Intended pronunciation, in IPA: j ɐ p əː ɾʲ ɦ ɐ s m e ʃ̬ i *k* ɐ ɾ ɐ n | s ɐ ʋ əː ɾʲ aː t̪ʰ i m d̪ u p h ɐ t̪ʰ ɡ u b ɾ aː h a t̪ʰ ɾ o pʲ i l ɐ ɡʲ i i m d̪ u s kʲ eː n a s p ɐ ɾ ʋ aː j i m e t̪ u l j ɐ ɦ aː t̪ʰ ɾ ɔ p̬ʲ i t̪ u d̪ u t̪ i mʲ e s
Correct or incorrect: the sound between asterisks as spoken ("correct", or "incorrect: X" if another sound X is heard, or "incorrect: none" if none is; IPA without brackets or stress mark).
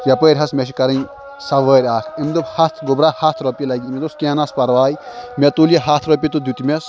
correct